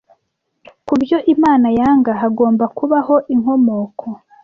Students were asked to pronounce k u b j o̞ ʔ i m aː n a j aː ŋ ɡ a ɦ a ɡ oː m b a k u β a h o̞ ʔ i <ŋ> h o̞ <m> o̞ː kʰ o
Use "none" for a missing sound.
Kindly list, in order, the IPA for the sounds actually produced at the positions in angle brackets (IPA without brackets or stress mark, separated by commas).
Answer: ŋ, m